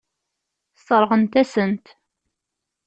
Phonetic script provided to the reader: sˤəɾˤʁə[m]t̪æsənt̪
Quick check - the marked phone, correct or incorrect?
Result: incorrect